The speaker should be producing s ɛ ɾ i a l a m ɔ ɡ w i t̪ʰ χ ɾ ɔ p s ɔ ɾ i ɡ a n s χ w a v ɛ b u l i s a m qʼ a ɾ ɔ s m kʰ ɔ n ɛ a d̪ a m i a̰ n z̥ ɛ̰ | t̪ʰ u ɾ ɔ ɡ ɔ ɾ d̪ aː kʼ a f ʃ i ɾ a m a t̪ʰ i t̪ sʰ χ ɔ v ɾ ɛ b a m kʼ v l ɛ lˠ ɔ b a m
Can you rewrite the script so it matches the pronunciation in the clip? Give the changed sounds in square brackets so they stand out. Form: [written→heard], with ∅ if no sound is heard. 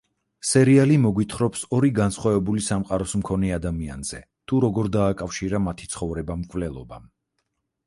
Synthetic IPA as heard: s ɛ ɾ i a l [a→i] m ɔ ɡ w i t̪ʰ χ ɾ ɔ p s ɔ ɾ i ɡ a n s χ w a v ɛ b u l i s a m qʼ a ɾ ɔ s m kʰ ɔ n ɛ a d̪ a m i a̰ n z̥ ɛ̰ | t̪ʰ u ɾ ɔ ɡ ɔ ɾ d̪ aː kʼ a f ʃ i ɾ a m a t̪ʰ i t̪ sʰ χ ɔ v ɾ ɛ b a m kʼ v l ɛ lˠ ɔ b a m